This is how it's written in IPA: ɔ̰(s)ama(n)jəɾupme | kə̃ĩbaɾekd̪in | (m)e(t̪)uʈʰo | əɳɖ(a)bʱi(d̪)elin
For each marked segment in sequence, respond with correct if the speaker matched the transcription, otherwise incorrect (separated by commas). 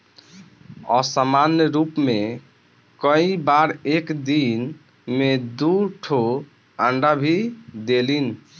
correct, correct, correct, incorrect, correct, correct